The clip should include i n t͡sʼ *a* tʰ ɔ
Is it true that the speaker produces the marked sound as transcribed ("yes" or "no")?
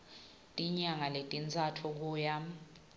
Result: yes